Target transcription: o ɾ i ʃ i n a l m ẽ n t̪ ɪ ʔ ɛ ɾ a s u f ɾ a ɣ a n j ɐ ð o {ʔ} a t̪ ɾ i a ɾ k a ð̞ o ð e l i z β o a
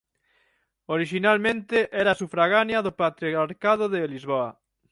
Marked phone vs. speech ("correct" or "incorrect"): incorrect